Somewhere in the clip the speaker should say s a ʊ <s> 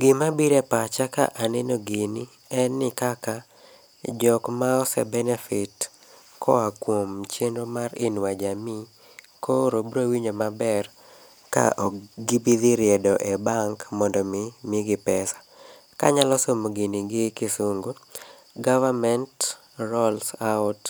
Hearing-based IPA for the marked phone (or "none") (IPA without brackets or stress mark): t